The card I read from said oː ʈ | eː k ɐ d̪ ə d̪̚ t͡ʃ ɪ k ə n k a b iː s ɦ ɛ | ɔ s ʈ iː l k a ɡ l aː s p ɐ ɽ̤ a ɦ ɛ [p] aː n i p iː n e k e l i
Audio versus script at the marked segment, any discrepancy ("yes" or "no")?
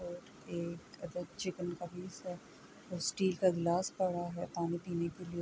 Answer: no